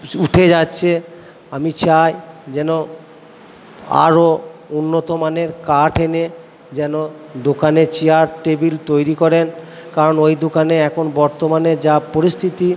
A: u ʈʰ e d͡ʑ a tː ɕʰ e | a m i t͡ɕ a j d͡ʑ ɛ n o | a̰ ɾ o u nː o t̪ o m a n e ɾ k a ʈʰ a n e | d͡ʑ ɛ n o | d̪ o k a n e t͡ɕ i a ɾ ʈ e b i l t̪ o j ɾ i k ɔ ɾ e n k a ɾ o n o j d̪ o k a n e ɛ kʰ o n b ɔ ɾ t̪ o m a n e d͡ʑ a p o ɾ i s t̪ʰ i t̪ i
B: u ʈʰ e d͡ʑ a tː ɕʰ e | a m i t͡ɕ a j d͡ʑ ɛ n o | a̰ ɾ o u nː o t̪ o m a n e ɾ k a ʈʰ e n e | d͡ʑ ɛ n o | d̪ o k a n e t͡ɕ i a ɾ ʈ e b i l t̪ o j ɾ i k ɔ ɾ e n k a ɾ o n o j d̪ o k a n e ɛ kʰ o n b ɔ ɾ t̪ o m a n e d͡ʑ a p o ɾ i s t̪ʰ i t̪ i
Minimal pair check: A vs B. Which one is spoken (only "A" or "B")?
B